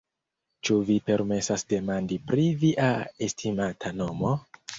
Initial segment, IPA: t͡ʃ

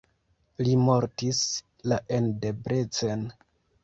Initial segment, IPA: l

